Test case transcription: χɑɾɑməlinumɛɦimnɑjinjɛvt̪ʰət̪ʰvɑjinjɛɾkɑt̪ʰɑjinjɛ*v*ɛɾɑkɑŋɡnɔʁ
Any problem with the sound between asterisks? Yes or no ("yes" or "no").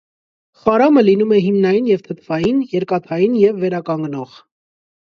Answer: yes